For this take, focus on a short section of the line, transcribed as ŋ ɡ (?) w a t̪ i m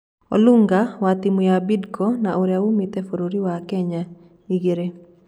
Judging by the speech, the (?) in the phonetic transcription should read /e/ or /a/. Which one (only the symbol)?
a